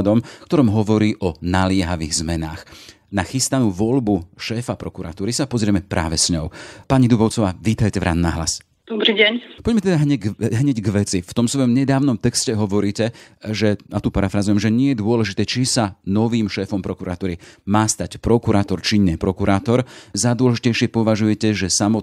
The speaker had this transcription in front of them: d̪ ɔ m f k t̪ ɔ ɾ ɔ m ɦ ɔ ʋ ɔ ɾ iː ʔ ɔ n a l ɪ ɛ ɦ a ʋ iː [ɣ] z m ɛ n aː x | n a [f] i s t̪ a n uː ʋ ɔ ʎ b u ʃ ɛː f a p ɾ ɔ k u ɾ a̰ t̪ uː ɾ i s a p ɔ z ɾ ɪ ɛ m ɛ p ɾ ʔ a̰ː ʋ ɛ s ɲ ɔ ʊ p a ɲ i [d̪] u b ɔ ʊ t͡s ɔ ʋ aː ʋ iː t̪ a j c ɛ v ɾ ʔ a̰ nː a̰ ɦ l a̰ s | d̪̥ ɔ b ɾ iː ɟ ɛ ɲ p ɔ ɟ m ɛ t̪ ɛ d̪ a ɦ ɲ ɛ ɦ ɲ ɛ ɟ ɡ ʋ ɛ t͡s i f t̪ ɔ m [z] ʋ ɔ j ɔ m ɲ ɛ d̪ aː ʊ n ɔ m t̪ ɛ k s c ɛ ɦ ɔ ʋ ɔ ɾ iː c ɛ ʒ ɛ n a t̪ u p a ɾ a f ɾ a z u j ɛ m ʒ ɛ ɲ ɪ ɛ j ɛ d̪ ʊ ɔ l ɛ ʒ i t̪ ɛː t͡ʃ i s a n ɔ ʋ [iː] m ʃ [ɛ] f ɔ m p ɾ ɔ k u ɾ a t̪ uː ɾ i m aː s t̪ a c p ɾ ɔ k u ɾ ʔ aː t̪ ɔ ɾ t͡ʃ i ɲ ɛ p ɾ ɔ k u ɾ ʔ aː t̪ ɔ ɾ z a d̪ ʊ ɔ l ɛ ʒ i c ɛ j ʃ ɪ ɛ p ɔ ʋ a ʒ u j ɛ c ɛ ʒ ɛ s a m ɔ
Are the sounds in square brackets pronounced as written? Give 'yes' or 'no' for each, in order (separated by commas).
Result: yes, no, yes, no, yes, no